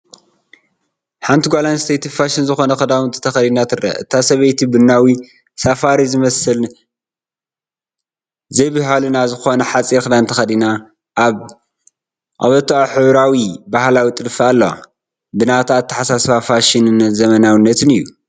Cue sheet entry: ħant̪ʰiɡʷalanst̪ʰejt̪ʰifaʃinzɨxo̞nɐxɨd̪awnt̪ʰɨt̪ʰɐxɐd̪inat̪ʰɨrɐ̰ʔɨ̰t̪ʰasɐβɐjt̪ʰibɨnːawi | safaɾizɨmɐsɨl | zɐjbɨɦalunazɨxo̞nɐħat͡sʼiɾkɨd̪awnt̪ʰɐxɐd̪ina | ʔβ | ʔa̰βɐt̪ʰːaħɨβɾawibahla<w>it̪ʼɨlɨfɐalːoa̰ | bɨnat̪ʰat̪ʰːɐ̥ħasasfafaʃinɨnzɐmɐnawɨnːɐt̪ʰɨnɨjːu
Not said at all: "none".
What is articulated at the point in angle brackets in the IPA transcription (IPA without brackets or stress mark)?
w